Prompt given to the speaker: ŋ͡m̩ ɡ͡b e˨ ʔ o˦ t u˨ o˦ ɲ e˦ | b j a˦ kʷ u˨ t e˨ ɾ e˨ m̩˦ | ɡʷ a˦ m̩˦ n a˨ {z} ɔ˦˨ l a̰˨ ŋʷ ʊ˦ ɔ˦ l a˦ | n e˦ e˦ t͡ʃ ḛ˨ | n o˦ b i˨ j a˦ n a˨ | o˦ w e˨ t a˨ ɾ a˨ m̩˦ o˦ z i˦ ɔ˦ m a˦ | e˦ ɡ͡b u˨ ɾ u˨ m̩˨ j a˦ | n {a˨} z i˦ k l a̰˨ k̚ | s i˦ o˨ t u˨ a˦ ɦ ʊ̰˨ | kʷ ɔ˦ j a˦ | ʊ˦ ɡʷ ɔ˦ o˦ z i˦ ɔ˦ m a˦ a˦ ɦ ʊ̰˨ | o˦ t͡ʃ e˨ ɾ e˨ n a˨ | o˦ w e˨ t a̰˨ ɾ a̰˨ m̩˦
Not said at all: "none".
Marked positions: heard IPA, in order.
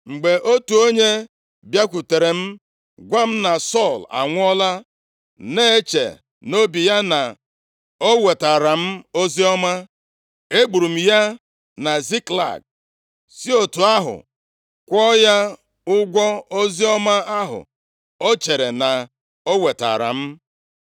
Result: s, a˨

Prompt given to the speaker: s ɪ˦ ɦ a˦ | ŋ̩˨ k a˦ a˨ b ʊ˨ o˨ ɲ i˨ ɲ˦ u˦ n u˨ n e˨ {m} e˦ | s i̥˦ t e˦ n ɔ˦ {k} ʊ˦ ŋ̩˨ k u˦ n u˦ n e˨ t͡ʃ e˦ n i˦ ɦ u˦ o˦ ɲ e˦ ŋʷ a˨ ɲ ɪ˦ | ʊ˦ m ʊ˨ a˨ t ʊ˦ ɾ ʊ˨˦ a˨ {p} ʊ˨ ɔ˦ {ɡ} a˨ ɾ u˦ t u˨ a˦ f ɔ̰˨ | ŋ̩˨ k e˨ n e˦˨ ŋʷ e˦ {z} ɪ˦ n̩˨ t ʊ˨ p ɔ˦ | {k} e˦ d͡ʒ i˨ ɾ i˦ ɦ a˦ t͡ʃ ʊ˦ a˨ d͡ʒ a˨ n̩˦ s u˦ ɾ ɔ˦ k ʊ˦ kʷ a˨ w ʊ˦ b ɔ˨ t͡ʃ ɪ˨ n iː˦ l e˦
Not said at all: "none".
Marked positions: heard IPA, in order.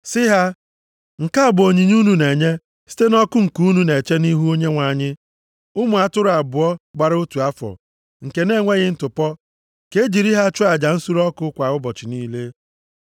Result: ɲ, k, b, ɡ͡b, ɣ, k

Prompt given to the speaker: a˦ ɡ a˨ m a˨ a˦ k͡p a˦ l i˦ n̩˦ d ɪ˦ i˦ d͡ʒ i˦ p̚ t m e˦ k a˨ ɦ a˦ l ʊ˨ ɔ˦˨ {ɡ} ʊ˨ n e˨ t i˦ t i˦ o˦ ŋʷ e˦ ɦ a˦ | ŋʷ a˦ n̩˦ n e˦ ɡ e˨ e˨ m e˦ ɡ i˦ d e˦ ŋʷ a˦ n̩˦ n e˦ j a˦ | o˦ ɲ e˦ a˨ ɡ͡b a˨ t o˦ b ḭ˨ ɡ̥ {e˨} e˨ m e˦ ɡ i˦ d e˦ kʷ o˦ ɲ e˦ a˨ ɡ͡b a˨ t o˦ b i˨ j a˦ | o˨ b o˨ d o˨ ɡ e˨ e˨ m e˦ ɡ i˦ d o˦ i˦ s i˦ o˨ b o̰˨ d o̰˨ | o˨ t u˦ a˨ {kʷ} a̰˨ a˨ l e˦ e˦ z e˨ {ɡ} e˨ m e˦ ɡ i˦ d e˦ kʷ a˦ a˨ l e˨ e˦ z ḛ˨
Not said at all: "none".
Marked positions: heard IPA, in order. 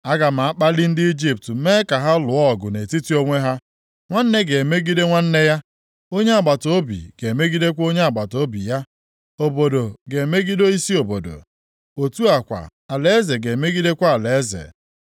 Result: ɡ, e˨, kʷ, ɡ

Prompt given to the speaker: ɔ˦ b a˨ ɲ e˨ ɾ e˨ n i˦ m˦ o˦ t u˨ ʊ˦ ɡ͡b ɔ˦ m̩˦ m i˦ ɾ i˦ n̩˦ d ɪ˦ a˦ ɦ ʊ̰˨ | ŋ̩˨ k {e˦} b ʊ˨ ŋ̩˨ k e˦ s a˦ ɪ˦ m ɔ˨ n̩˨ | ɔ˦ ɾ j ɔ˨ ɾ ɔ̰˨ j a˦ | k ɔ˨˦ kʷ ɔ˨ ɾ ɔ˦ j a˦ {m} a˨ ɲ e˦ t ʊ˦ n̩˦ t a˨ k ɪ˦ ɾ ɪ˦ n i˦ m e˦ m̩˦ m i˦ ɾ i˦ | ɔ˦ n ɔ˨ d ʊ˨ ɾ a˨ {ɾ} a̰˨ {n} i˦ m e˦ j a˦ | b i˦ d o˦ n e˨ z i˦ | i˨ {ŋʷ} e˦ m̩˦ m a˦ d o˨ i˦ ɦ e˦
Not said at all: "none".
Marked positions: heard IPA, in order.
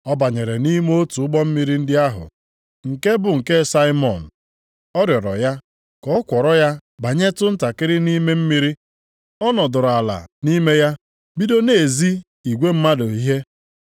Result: e˦, b, l, n, ɡʷ

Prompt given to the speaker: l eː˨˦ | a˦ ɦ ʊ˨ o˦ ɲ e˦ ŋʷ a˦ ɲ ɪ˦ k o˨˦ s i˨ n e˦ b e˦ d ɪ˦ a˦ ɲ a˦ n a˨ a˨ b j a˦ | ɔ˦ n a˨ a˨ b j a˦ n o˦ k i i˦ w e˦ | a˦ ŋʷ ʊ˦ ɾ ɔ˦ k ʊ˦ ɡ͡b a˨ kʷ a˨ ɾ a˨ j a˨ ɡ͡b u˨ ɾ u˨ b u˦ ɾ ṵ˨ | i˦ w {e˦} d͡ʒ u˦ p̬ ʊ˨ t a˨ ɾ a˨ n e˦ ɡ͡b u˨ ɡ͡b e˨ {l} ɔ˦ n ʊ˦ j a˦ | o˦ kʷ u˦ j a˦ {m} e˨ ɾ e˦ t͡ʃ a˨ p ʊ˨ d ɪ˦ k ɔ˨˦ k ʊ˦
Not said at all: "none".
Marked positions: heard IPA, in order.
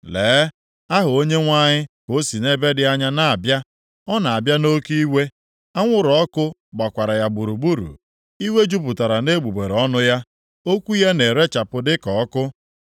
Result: e˦, ɾ, n

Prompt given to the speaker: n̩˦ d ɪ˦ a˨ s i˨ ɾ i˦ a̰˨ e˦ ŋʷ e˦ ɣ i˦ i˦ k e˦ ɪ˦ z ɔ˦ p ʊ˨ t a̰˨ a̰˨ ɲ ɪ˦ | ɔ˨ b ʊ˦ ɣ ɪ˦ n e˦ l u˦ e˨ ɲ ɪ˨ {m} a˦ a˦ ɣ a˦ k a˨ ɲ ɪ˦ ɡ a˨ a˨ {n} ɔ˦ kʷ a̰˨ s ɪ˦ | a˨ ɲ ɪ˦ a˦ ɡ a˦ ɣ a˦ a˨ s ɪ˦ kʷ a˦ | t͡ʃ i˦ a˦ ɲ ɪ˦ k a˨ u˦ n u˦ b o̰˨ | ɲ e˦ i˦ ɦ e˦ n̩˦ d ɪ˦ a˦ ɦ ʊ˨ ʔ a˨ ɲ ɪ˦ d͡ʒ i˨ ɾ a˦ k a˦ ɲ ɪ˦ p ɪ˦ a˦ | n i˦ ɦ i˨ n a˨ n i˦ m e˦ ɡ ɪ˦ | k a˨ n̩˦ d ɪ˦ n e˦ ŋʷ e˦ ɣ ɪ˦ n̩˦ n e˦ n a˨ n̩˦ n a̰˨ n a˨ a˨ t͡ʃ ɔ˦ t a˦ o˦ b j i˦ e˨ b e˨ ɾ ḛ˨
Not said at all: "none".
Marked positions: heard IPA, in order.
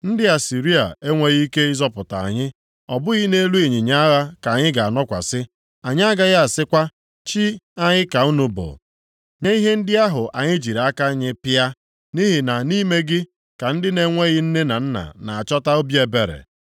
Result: ɲ, n

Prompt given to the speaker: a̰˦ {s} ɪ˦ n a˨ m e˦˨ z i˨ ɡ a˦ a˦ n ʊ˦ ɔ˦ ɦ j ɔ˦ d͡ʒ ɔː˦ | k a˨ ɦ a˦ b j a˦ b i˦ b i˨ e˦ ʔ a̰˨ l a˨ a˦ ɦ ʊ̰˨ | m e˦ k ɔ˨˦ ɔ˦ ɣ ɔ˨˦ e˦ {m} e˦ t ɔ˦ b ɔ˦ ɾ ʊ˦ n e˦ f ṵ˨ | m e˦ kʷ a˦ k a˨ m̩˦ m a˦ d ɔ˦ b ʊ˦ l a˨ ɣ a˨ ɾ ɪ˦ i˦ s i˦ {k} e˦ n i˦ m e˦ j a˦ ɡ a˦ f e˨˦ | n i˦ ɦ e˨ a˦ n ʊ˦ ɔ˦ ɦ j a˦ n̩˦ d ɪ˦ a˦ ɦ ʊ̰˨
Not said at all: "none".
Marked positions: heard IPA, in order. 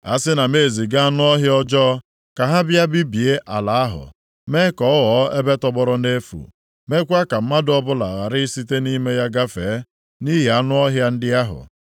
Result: s, b, t

